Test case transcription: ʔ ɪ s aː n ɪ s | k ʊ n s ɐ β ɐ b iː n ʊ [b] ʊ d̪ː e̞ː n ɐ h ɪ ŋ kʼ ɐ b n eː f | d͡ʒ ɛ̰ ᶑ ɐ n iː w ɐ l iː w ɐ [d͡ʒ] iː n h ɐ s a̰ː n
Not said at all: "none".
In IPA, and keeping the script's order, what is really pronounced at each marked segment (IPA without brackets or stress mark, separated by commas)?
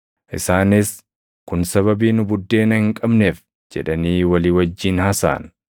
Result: b, d͡ʒː